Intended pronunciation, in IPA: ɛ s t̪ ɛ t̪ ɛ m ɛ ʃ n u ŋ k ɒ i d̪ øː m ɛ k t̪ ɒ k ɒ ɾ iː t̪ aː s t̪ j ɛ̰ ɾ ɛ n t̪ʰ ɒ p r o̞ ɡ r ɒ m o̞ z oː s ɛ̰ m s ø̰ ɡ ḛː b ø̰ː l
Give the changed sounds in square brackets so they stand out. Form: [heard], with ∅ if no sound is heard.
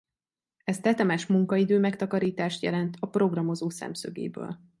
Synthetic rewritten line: ɛ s t̪ ɛ t̪ ɛ m ɛ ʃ [m] u ŋ k ɒ i d̪ øː m ɛ k t̪ ɒ k ɒ ɾ iː t̪ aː [ʃ] t̪ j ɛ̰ [l] ɛ n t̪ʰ ɒ p r o̞ ɡ r ɒ m o̞ z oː s ɛ̰ m s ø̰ ɡ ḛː b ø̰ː l